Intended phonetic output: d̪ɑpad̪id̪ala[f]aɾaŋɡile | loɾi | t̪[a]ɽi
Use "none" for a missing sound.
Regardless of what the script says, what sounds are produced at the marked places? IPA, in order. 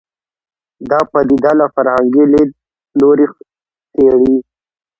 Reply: f, e

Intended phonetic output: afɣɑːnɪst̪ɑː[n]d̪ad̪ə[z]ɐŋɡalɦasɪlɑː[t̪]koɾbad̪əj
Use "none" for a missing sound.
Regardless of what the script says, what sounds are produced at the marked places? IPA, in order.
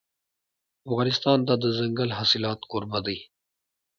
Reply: n, z, t̪

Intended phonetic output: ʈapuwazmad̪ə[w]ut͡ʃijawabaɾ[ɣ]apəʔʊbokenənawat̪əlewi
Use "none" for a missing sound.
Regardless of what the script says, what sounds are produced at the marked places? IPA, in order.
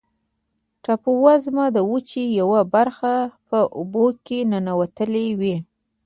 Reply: w, x

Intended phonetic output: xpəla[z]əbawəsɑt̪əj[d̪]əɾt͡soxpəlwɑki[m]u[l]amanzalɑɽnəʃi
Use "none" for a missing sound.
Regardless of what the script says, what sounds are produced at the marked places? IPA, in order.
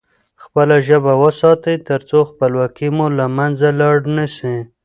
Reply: ʒ, t̪, m, l

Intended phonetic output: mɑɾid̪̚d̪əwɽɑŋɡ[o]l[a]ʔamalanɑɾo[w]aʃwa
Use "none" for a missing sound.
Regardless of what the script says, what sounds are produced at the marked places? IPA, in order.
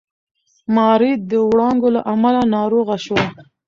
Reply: o, a, ɣ

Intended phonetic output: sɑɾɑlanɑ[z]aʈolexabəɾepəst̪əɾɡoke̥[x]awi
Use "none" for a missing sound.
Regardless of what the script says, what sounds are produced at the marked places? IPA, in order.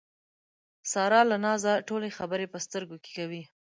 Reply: z, k

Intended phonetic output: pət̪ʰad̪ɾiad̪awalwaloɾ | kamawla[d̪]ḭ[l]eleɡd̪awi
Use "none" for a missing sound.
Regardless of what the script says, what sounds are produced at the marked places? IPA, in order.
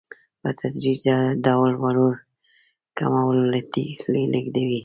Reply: t̪, l

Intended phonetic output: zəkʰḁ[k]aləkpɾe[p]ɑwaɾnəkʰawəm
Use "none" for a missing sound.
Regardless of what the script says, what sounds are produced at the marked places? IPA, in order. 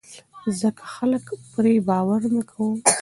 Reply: x, b

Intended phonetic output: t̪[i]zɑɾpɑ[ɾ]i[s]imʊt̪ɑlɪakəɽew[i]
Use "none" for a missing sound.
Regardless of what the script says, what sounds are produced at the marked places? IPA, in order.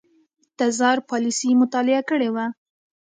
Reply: a, l, s, a

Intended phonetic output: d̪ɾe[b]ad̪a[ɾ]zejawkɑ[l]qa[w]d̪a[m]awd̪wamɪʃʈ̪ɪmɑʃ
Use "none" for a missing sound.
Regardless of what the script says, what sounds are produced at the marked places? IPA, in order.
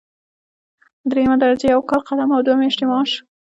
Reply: m, ɾ, l, none, m

